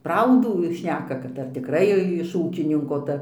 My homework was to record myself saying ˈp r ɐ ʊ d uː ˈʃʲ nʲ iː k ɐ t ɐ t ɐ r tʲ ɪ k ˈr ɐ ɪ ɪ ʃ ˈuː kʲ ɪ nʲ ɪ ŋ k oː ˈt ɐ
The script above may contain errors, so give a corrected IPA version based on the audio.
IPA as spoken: ˈp r ɐ ʊ d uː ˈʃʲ nʲ æː k ɐ k ɐ t ɐ r tʲ ɪ k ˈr ɐ ɪ ɪ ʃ ˈuː kʲ ɪ nʲ ɪ ŋ k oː ˈt ɐ